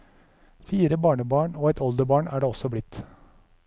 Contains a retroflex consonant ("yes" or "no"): yes